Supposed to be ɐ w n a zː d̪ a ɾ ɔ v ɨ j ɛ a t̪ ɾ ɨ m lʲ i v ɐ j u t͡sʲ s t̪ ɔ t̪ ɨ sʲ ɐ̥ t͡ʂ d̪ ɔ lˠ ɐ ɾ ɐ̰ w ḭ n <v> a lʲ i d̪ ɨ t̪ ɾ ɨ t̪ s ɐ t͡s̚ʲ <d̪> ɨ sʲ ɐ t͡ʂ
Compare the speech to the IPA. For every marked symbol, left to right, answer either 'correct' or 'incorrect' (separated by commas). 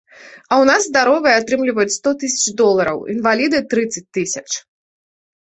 correct, incorrect